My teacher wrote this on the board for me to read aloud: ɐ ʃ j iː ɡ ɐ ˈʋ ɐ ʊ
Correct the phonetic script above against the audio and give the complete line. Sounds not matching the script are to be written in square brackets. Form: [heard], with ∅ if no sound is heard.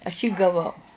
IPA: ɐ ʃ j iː ɡ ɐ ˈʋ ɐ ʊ